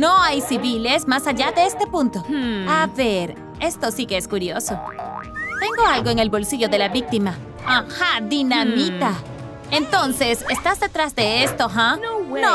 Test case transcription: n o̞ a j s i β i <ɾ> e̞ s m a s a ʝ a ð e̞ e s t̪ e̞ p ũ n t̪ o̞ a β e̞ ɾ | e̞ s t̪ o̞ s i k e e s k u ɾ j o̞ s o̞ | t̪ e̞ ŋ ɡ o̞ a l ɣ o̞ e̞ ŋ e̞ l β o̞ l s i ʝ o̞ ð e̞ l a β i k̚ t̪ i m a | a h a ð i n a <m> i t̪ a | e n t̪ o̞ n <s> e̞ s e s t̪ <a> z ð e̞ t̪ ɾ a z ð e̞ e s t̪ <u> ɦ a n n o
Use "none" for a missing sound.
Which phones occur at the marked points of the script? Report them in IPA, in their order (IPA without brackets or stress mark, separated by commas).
l, m, s, a, o